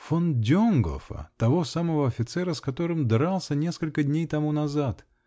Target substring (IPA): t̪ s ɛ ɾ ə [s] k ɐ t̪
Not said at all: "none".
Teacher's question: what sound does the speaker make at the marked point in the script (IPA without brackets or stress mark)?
s